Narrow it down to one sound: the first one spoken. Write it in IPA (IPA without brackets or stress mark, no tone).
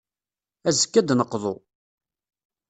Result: æ